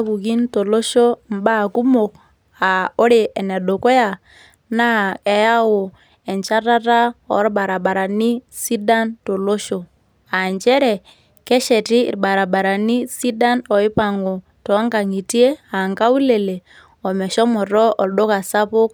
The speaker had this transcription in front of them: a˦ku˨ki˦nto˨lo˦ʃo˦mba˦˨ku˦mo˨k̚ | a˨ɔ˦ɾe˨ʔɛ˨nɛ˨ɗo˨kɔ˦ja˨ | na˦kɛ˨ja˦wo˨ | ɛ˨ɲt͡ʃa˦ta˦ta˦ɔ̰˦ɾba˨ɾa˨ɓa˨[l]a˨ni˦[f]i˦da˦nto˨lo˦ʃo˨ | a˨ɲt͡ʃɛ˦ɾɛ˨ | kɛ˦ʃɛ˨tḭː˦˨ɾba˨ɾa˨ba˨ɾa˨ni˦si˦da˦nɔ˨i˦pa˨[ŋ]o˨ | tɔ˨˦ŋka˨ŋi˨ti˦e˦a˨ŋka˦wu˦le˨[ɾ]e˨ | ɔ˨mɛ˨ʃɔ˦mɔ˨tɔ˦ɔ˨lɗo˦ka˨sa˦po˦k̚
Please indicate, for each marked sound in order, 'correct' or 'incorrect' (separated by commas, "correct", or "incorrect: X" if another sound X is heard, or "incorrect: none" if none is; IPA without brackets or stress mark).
incorrect: ɾ, incorrect: s, correct, incorrect: l